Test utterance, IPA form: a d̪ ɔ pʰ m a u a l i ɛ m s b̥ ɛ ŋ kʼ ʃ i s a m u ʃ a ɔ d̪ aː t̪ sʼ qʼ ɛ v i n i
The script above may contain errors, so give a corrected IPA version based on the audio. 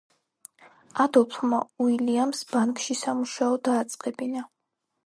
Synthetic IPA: a d̪ ɔ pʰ m a u i l i a m s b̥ a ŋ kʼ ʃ i s a m u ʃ a ɔ d̪ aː t̪ sʼ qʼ ɛ b i n a